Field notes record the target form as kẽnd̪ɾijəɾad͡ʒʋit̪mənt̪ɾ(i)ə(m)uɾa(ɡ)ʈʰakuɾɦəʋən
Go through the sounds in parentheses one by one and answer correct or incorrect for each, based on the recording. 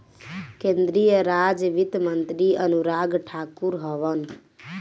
correct, incorrect: n, correct

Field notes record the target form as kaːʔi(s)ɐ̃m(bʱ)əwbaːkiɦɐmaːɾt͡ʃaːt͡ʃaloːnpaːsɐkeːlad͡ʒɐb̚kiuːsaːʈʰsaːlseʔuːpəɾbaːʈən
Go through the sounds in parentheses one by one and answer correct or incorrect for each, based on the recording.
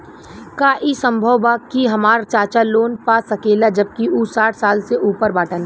correct, correct

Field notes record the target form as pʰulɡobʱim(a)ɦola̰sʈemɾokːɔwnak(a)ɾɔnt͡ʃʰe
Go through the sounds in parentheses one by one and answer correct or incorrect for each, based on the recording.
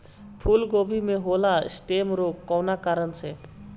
incorrect: e, correct

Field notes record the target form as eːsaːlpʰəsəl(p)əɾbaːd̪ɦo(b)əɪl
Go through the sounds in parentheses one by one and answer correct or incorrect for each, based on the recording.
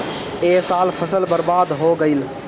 incorrect: b, incorrect: ɡ

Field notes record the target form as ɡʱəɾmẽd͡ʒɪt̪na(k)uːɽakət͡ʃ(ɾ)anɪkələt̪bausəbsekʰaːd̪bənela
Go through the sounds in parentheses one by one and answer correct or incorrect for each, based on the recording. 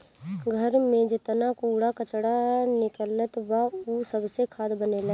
correct, incorrect: ɽ

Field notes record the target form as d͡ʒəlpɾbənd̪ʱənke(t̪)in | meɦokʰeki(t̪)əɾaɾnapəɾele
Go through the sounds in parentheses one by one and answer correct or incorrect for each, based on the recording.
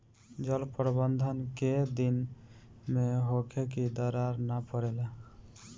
incorrect: d̪, incorrect: d̪

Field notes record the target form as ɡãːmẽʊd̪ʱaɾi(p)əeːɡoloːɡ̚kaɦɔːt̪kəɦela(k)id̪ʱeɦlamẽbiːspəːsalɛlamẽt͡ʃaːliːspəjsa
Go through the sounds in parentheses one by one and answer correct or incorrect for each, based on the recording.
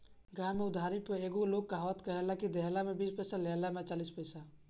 correct, correct

